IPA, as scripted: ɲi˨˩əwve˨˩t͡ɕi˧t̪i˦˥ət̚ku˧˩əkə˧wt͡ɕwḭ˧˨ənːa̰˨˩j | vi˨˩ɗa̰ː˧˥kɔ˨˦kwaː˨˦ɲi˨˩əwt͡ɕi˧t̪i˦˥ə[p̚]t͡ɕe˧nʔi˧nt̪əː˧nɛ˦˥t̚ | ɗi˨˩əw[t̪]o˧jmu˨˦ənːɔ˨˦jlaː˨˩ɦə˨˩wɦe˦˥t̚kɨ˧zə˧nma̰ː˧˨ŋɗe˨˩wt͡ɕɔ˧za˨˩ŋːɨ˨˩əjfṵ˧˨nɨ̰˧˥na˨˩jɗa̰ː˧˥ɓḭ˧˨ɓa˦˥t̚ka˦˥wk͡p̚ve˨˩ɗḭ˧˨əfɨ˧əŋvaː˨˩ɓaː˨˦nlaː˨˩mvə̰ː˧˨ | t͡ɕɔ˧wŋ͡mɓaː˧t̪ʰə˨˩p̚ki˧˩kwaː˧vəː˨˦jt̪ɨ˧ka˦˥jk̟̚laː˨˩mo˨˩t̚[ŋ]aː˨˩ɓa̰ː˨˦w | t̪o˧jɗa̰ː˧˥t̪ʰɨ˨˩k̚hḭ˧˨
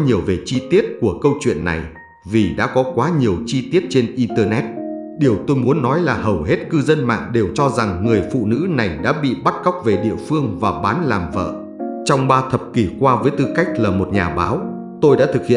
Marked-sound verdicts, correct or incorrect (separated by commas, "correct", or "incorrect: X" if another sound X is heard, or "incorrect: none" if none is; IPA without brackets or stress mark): incorrect: t̚, correct, incorrect: ɲ